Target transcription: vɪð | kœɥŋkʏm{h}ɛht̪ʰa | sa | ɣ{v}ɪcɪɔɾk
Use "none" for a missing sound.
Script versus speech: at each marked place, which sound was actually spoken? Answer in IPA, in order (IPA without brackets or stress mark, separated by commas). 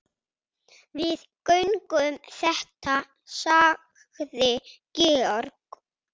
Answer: θ, ð